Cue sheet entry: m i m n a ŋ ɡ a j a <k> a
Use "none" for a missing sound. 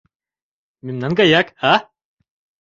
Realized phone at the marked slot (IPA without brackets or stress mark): k